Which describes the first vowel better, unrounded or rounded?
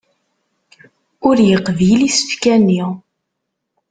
rounded